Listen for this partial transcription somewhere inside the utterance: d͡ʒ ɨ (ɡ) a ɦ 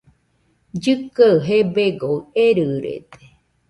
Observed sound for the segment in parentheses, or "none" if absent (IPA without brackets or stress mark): k